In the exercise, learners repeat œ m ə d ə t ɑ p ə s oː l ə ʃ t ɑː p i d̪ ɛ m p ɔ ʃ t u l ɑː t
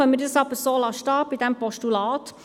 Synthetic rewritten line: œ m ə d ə s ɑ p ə s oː l ɑ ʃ t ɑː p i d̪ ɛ m p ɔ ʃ t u l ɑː t